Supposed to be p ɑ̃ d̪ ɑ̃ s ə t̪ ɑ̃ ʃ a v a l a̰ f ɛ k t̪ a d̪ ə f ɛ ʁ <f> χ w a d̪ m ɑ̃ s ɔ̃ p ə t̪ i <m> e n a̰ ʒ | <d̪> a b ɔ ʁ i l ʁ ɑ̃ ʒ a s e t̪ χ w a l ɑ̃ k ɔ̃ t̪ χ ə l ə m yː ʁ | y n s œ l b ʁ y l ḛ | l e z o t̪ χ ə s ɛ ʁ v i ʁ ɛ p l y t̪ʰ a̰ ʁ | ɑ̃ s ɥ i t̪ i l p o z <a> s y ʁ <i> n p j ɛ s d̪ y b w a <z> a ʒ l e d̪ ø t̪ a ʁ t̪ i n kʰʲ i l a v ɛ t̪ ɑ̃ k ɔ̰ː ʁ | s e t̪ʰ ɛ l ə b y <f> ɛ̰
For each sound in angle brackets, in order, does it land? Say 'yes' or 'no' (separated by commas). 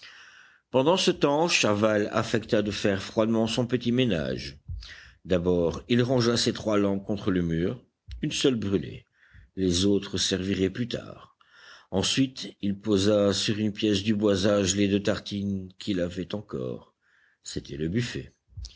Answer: yes, yes, yes, yes, no, yes, yes